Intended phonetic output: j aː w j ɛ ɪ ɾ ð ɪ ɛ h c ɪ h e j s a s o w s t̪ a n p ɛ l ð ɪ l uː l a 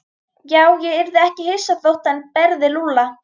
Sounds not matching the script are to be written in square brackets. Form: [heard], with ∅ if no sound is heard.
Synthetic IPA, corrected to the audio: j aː w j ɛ ɪ ɾ ð ɪ ɛ h c ɪ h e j s a [θ] o w [h] t̪ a n p ɛ [ɾ] ð ɪ l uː l a